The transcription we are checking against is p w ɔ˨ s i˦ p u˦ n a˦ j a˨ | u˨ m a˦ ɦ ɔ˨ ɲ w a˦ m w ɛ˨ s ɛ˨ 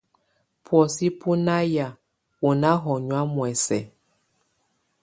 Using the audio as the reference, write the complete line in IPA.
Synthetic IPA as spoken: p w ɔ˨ s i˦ p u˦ n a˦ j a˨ | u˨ n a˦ ɦ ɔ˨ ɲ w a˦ m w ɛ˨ s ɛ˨